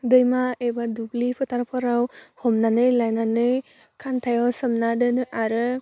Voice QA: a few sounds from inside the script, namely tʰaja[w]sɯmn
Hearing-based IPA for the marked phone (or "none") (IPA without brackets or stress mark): w